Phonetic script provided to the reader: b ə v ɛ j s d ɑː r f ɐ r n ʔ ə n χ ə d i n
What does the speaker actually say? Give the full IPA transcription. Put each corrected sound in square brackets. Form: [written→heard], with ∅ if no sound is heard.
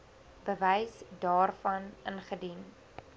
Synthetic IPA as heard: b ə v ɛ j s d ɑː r f ɐ [r→∅] n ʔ ə n χ ə d i n